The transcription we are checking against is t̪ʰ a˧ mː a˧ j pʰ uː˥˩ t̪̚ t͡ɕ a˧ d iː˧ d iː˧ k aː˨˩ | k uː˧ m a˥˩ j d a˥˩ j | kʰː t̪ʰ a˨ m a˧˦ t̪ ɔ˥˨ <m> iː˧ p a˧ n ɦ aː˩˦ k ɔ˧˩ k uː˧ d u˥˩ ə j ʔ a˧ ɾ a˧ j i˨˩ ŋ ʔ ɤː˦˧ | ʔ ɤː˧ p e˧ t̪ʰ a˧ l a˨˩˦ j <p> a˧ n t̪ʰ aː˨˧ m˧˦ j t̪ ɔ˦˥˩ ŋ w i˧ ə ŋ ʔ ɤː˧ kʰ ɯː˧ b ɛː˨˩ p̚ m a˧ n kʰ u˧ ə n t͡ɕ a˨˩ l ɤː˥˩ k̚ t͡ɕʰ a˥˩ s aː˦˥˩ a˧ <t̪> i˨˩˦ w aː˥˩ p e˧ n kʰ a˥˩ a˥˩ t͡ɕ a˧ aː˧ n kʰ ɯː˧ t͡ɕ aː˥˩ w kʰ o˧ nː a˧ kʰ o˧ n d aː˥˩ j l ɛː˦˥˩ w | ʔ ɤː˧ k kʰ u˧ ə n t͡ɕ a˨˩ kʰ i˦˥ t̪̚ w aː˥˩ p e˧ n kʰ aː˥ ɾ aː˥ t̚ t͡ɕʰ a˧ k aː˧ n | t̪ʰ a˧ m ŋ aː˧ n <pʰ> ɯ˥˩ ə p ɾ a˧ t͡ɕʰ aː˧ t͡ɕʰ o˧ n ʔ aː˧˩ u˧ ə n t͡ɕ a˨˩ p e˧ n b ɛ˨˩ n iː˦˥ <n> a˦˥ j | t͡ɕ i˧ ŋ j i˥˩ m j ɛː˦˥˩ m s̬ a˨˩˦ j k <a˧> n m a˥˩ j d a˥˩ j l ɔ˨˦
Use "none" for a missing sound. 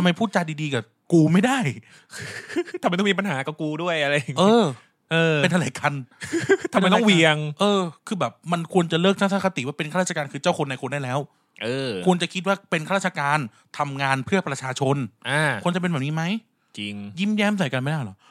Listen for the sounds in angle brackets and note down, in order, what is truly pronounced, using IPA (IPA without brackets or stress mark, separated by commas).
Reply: m, k, t̪, pʰ, m, a˧